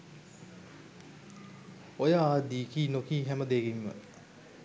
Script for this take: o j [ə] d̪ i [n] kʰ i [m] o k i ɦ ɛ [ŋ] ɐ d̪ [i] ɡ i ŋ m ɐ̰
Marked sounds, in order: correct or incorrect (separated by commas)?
incorrect, incorrect, incorrect, incorrect, incorrect